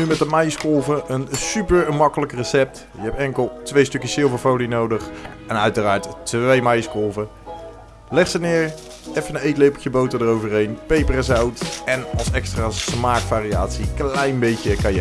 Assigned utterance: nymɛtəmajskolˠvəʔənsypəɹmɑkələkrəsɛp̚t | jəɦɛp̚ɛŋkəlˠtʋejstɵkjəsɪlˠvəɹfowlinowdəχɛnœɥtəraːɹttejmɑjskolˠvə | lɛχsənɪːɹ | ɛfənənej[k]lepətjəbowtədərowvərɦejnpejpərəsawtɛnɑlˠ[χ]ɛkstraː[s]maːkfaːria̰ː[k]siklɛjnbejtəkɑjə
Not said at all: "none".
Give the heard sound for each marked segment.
t, s, s, t

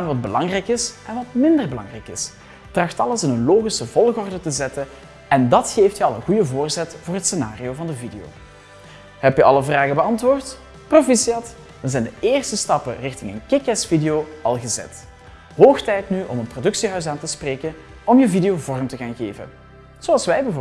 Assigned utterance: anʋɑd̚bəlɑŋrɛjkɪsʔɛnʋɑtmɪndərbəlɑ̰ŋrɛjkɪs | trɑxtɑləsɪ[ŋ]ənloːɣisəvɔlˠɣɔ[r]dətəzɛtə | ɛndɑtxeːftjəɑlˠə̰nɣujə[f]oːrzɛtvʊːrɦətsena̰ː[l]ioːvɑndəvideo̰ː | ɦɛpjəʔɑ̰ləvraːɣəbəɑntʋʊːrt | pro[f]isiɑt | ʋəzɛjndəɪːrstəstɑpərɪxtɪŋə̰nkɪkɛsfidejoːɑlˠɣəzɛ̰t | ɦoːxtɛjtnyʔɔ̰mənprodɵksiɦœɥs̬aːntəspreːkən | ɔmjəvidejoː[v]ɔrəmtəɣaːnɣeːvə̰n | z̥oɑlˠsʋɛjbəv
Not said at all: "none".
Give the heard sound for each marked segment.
n, r, v, r, f, v

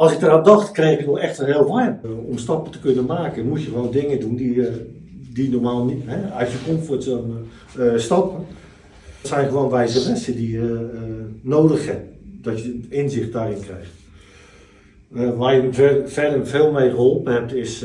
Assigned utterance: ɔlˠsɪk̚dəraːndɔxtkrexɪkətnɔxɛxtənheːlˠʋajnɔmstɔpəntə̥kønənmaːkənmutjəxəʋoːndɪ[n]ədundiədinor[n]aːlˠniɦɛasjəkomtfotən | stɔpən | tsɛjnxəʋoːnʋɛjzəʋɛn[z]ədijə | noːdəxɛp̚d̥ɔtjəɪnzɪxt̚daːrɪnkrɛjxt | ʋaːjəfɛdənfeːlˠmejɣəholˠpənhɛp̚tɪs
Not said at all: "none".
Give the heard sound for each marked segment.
ŋ, m, s

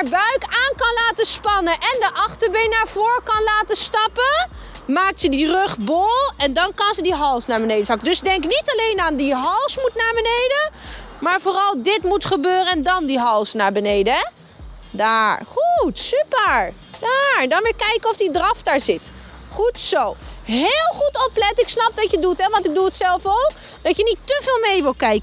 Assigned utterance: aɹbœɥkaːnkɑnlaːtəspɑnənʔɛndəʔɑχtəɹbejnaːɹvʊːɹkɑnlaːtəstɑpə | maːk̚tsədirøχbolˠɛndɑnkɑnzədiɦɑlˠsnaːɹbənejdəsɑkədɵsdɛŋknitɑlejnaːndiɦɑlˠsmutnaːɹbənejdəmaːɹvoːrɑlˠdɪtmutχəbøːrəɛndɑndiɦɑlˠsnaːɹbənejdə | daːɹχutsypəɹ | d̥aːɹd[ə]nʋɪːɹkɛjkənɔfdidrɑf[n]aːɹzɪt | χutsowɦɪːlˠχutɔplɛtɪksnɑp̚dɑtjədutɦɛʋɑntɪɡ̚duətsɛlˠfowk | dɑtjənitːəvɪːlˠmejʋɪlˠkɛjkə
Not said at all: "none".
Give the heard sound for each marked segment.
ɑ, d

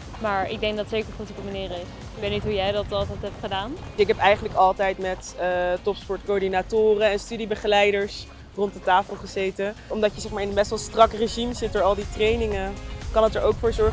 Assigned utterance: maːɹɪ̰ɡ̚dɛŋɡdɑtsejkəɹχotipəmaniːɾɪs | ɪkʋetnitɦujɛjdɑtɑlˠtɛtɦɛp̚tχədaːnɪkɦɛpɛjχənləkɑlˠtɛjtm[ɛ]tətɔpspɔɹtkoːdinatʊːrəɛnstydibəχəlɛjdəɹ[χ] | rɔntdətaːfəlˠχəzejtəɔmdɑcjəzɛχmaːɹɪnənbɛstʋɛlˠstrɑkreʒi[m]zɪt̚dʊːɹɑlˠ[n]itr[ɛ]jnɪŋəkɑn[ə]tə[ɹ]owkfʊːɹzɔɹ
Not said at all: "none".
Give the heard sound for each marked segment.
ɛ, s, m, d, e, ə, ɹ

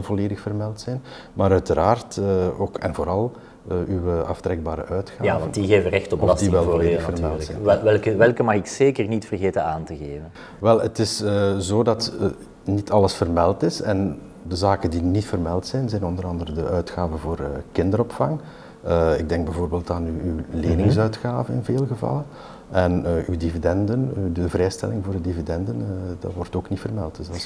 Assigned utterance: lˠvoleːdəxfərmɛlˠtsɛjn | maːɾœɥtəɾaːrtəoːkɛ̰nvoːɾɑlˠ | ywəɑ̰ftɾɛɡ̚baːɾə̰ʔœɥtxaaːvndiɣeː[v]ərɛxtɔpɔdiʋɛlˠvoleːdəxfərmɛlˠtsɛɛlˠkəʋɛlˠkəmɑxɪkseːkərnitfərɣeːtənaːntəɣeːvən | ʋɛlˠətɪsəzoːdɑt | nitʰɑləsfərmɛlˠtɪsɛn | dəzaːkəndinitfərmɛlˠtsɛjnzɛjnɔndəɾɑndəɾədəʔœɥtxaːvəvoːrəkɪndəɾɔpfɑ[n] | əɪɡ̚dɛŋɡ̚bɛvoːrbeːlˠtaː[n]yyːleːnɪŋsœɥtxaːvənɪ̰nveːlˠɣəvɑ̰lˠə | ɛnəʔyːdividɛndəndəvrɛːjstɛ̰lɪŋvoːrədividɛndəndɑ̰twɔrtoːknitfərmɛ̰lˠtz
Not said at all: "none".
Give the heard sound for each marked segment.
v, ŋ, n

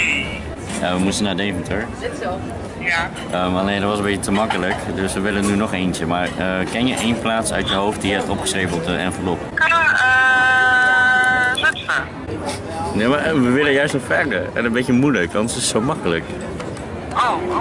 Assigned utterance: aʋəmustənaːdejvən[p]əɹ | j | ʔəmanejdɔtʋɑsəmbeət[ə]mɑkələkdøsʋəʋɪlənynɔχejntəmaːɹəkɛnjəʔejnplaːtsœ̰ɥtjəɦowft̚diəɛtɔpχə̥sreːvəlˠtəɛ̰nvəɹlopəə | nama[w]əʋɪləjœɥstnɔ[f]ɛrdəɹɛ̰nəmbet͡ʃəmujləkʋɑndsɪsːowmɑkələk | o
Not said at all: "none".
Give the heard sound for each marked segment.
t, ə, ʋ, f

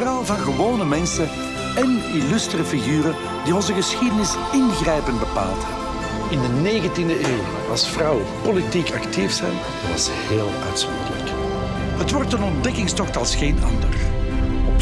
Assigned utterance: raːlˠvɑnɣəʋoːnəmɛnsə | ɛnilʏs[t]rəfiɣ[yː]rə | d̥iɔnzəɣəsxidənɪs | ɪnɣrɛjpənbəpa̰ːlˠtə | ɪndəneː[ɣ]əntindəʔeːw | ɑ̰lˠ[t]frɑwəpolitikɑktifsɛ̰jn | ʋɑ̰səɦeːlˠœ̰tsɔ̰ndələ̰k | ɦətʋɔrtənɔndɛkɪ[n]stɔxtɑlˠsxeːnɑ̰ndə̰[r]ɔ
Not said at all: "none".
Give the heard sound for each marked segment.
t, yː, ɣ, s, ŋ, r

